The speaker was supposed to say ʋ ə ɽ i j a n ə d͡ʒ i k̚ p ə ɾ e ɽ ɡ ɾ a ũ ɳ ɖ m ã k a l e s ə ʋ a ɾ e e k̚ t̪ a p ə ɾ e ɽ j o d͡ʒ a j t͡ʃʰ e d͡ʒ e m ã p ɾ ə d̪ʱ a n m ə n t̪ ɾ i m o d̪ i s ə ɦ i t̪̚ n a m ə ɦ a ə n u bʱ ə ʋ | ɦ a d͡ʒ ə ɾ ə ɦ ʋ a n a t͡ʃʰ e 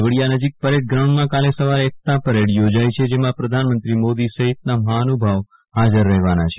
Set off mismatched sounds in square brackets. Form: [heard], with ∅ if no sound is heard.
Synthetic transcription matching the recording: ʋ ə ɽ i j a n ə d͡ʒ i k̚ p ə ɾ e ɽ ɡ ɾ a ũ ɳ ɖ m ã k a l e s ə ʋ a ɾ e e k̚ t̪ a p ə ɾ e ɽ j o d͡ʒ a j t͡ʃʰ e d͡ʒ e m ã p ɾ ə d̪ʱ a n m ə n t̪ ɾ i m o d̪ i s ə ɦ i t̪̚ n a m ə ɦ a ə n u bʱ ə ʋ | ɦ a d͡ʒ ə [ɾː] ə ɦ ʋ a n a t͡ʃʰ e